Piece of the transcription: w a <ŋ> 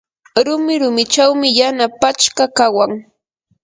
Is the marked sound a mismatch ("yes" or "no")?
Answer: no